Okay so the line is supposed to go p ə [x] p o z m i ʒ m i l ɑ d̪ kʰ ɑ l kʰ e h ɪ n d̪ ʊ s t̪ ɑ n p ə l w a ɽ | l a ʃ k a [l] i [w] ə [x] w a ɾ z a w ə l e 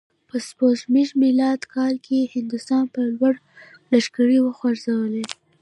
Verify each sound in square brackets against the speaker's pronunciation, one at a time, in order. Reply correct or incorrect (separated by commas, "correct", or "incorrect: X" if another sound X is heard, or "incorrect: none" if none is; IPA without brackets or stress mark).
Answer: incorrect: s, incorrect: ɽ, correct, correct